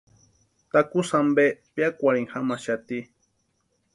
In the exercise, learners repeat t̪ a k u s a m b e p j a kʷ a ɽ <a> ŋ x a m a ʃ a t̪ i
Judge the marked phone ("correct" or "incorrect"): incorrect